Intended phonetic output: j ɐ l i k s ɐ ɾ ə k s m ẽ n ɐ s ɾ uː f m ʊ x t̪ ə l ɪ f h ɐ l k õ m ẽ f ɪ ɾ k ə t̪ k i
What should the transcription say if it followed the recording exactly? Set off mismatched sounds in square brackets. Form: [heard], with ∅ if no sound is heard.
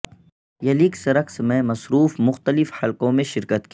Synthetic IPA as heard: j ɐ l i k s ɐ ɾ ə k s m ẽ [m] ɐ s ɾ uː f m ʊ x t̪ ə l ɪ f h ɐ l k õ m ẽ [ʃ] ɪ ɾ k ə t̪ k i